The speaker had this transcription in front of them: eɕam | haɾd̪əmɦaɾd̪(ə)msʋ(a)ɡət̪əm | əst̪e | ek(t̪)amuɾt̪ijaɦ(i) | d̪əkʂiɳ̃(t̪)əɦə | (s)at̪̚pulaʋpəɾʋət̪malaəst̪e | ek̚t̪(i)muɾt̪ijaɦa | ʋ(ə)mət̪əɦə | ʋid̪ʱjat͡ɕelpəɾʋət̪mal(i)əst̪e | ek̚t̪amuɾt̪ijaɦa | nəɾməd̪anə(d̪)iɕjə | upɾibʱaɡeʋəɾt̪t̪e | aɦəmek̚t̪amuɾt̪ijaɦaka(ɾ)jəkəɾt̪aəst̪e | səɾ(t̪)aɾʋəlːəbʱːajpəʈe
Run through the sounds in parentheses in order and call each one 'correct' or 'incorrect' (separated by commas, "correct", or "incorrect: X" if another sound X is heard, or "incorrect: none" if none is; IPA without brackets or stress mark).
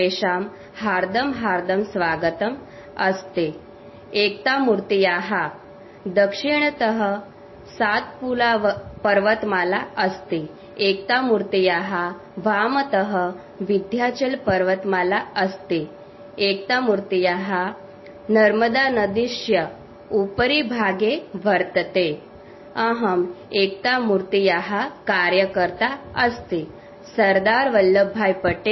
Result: correct, correct, correct, incorrect: a, correct, correct, incorrect: a, incorrect: a, incorrect: a, correct, correct, incorrect: d̪